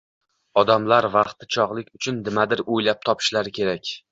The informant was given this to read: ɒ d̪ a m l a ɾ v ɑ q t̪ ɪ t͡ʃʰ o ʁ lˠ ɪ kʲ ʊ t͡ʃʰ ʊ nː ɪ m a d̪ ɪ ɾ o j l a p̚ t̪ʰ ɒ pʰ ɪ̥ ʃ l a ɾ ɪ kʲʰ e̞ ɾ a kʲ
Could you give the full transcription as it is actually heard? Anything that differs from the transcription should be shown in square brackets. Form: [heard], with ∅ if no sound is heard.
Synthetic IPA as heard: ɒ d̪ a m l a ɾ v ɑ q t̪ ɪ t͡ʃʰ [ɒ] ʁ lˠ ɪ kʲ ʊ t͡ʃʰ ʊ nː ɪ m a d̪ ɪ ɾ o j l a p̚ t̪ʰ ɒ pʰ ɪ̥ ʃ l a ɾ ɪ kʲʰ e̞ ɾ a kʲ